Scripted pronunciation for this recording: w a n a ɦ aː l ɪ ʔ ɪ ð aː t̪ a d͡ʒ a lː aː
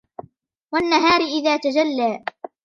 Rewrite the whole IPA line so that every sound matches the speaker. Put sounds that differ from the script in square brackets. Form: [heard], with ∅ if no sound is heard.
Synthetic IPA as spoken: w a [nː] a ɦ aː [ɾ] ɪ ʔ ɪ ð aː t̪ a d͡ʒ a lː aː